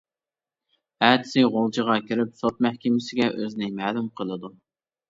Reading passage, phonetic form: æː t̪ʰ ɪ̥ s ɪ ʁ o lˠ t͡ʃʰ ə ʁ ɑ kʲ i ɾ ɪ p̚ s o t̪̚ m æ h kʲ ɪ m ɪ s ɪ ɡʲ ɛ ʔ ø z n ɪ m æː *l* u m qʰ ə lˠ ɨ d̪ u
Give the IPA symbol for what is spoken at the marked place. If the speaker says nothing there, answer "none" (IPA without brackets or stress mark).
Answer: l